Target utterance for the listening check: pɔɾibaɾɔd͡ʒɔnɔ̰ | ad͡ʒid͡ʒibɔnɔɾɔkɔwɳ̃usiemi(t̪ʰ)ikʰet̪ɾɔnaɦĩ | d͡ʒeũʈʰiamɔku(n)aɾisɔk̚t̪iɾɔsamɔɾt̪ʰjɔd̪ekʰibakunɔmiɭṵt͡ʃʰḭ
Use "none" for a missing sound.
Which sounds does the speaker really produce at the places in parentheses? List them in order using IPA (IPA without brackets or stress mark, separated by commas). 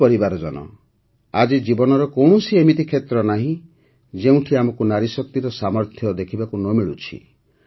t̪, n